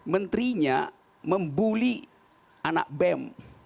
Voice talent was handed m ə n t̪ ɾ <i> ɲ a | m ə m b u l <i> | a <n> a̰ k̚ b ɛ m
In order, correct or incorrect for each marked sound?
correct, correct, correct

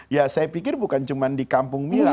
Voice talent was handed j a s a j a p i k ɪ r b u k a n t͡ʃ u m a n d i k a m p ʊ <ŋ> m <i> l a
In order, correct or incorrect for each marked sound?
correct, correct

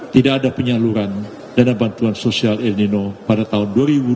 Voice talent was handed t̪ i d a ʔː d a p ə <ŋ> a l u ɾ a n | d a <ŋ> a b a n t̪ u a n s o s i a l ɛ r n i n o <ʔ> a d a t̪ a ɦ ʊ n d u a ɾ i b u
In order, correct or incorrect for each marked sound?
incorrect: ɲ, incorrect: n, incorrect: p

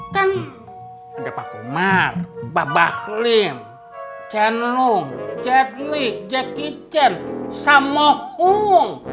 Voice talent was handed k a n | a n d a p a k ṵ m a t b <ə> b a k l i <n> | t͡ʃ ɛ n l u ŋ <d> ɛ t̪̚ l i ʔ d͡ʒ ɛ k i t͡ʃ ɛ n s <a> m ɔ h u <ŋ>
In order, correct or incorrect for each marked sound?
incorrect: a, incorrect: m, incorrect: d͡ʒ, correct, correct

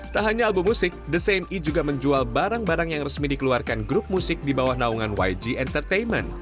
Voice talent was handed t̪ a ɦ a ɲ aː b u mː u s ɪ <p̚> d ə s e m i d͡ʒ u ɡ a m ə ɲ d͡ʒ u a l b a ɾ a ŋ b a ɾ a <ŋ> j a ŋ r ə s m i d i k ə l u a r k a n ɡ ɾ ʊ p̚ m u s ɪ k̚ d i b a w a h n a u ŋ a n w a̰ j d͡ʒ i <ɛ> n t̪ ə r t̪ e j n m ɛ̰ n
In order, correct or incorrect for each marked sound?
incorrect: k̚, correct, correct

